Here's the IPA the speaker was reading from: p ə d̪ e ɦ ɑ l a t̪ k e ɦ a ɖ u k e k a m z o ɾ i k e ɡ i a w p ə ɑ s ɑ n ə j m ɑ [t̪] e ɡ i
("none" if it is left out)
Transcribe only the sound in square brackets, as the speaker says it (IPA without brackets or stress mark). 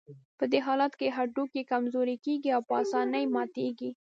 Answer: t̪